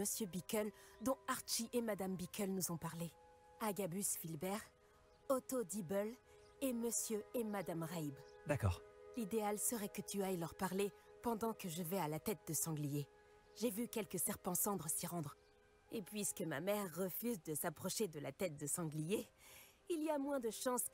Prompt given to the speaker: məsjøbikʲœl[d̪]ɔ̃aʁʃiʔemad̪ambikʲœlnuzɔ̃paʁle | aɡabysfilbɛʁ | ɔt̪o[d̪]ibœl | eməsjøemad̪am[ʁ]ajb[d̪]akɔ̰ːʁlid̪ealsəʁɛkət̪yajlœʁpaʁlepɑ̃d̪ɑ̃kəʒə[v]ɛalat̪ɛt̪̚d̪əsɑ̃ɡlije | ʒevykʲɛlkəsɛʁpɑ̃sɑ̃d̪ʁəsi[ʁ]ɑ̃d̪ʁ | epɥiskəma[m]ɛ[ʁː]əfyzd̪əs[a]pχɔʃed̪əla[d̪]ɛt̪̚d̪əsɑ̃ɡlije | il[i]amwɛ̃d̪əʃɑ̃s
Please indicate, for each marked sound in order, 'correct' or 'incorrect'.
correct, correct, correct, correct, correct, correct, correct, correct, correct, incorrect, correct

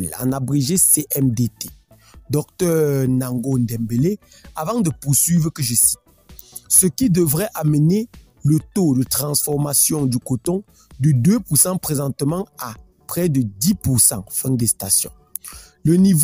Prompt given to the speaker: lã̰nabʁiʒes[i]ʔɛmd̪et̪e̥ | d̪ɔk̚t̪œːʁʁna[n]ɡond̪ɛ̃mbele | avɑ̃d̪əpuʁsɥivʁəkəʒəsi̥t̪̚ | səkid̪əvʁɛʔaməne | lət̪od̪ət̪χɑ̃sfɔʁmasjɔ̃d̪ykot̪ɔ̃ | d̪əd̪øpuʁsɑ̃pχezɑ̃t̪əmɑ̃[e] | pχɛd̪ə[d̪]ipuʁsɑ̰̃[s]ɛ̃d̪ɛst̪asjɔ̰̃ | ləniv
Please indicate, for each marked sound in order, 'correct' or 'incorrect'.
incorrect, incorrect, incorrect, correct, incorrect

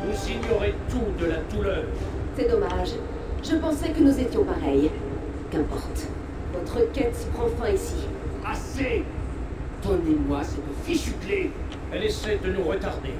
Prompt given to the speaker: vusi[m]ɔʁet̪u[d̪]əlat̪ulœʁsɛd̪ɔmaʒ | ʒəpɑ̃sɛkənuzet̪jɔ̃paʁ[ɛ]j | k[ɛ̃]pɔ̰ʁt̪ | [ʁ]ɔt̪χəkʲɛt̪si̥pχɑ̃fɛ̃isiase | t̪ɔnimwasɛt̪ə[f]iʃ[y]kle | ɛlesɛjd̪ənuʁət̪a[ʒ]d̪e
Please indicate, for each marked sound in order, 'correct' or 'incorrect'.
incorrect, correct, correct, correct, incorrect, correct, correct, incorrect

